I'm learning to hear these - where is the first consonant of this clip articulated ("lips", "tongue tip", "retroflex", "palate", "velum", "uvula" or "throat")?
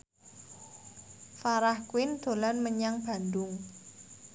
lips